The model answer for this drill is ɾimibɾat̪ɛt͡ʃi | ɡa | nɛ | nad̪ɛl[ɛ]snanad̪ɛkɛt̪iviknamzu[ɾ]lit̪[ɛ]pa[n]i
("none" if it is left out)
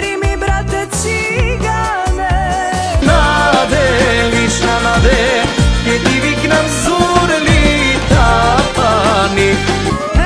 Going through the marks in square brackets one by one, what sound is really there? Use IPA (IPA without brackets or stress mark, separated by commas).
i, ɾ, a, n